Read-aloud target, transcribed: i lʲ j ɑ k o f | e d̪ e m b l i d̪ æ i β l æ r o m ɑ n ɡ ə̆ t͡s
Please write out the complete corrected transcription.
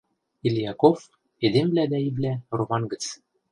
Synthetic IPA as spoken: i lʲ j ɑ k o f | e d̪ e m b l æ d̪ æ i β l æ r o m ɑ n ɡ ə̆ t͡s